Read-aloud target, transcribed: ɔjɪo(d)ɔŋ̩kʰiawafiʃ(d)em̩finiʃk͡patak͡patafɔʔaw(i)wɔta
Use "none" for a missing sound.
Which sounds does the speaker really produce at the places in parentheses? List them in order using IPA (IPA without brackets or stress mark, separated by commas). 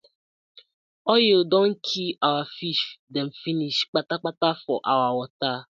d, d, a